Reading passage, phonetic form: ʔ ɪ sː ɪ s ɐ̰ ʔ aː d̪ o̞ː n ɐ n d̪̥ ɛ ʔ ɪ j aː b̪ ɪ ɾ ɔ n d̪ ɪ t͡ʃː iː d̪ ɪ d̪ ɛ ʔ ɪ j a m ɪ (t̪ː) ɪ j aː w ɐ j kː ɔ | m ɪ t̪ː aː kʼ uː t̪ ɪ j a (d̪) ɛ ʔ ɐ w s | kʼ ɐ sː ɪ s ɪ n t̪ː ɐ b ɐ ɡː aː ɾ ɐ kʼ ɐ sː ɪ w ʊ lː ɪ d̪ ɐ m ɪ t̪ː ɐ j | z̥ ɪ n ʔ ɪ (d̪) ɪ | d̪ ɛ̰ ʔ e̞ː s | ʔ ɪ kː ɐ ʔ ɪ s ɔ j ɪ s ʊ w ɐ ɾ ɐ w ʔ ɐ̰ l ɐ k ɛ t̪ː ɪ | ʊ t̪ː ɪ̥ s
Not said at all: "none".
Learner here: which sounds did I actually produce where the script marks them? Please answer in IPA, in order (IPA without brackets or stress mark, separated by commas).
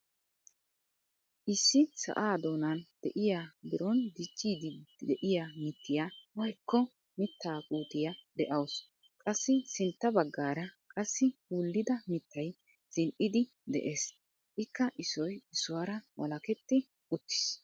t̪ː, d̪, d̪